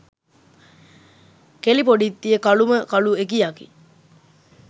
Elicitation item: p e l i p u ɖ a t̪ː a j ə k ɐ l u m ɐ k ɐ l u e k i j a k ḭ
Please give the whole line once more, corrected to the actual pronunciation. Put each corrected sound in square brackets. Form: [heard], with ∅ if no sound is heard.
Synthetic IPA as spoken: [k] e l i p [o] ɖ [i] t̪ː [i] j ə k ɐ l u m [ə] k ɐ l u e k i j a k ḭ